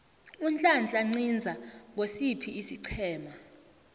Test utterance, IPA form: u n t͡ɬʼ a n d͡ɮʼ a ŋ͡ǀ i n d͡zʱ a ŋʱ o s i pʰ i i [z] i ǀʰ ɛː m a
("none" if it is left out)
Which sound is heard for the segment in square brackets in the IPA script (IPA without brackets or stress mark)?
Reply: s